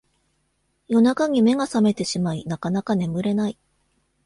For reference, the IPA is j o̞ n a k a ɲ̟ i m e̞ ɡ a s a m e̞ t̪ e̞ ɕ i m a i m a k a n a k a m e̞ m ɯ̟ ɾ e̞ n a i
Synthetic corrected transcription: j o̞ n a k a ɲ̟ i m e̞ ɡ a s a m e̞ t̪ e̞ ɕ i m a i n a k a n a k a n e̞ m ɯ̟ ɾ e̞ n a i

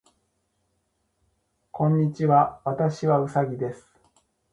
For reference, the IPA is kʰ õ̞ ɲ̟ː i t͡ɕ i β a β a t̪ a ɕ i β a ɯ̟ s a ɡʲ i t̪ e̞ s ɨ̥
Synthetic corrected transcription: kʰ õ̞ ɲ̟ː i t͡ɕ i β a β a t̪ a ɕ i β a ɯ̟ s a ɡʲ i d̪ e̞ s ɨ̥

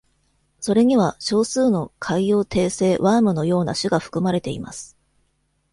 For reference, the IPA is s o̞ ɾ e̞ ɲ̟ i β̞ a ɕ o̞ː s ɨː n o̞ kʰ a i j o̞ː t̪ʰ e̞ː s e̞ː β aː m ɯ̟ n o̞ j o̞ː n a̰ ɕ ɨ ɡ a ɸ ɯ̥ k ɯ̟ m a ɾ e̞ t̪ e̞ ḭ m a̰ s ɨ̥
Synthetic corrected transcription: s o̞ ɾ e̞ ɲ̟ i β̞ a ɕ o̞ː s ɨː n o̞ kʰ a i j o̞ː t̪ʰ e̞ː s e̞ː β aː m ɯ̟ n o̞ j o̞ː n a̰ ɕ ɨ ɡ a ɸ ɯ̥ k ɯ̟ m a ɾ e̞ t̪ e̞ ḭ m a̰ s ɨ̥

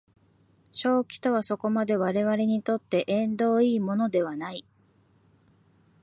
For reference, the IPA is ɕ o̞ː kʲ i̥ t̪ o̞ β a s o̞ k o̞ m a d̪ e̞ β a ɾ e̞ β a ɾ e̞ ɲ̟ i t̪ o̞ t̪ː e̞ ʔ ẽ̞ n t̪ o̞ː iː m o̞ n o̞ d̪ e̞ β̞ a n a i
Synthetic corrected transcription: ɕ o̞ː kʲ i̥ t̪ o̞ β a s o̞ k o̞ m a d̪ e̞ β a ɾ e̞ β a ɾ e̞ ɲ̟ i t̪ o̞ t̪ː e̞ ʔ ẽ̞ n d̪ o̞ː iː m o̞ n o̞ d̪ e̞ β̞ a n a i

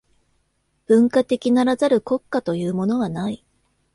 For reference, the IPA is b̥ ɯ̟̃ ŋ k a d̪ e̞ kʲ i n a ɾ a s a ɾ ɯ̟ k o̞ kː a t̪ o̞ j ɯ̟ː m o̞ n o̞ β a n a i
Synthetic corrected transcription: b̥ ɯ̟̃ ŋ k a t̪ e̞ kʲ i n a ɾ a z a ɾ ɯ̟ k o̞ kː a t̪ o̞ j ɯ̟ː m o̞ n o̞ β a n a i

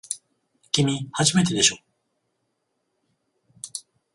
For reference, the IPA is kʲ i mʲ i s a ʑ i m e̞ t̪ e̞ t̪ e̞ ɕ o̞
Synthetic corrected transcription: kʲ i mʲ i h a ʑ i m e̞ t̪ e̞ d̪ e̞ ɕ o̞

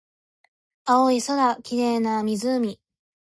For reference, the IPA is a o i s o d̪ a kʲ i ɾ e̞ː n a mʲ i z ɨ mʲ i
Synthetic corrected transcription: a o i s o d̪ a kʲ i ɾ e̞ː n a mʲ i z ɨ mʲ i

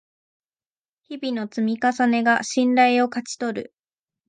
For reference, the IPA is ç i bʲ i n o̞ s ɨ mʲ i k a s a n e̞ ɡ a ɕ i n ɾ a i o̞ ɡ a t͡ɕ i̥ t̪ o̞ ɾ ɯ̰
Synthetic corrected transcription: ç i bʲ i n o̞ t͡s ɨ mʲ i k a s a n e̞ ɡ a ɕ ĩ n ɾ a i o̞ k a t͡ɕ i̥ t̪ o̞ ɾ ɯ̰

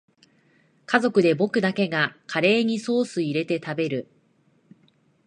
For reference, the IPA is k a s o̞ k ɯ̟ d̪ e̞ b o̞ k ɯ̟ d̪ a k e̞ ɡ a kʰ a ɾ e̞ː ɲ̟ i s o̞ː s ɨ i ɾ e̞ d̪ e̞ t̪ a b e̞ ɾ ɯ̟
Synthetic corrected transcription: k a z o̞ k ɯ̟ d̪ e̞ b o̞ k ɯ̟ d̪ a k e̞ ɡ a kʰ a ɾ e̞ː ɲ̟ i s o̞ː s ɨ i ɾ e̞ t̪ e̞ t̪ a b e̞ ɾ ɯ̟

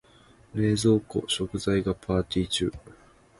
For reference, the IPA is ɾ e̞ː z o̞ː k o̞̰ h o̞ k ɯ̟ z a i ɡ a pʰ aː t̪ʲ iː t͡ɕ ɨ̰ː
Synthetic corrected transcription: ɾ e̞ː z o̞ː k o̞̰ ɕ o̞ k ɯ̟ z a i ɡ a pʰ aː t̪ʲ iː t͡ɕ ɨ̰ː

